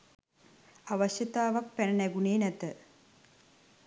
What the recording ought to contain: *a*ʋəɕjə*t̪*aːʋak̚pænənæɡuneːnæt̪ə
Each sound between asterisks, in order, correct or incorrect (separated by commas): correct, correct